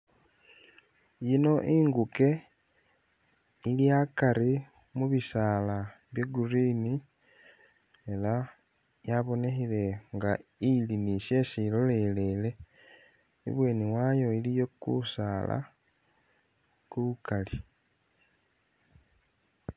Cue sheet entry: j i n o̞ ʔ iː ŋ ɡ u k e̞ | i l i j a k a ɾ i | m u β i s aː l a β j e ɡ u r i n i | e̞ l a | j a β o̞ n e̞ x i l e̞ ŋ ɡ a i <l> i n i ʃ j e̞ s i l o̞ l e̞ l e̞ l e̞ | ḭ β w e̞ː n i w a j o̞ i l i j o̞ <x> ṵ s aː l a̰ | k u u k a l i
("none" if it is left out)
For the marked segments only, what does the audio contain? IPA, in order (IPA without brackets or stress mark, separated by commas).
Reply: l, k